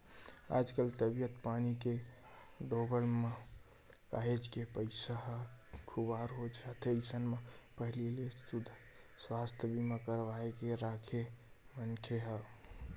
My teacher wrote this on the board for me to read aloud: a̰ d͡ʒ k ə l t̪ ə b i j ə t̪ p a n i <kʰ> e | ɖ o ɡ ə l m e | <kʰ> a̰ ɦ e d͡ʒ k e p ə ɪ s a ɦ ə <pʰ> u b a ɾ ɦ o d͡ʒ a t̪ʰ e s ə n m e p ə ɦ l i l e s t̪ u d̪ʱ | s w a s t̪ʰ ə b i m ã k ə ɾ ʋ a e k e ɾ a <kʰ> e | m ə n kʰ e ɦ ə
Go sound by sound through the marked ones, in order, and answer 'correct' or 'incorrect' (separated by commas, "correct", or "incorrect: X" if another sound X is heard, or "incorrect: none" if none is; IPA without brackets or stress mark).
incorrect: k, incorrect: k, incorrect: kʰ, correct